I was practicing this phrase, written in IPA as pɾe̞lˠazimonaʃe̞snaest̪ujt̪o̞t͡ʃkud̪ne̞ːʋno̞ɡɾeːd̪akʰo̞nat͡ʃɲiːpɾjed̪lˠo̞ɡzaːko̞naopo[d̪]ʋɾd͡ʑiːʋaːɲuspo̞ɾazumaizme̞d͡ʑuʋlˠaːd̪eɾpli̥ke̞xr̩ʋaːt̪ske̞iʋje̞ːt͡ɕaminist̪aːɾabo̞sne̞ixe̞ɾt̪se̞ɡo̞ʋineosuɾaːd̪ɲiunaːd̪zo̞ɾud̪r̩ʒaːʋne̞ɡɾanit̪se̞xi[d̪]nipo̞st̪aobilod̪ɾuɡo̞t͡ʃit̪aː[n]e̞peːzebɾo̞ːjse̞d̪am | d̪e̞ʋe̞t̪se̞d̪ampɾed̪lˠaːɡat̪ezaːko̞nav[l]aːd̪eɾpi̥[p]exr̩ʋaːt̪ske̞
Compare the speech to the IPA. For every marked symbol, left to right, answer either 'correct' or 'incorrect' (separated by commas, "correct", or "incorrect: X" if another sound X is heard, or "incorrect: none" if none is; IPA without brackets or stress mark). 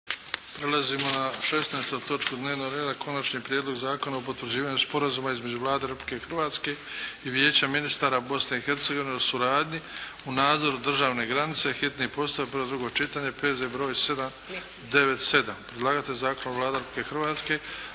incorrect: t̪, incorrect: t̪, incorrect: ɲ, correct, incorrect: k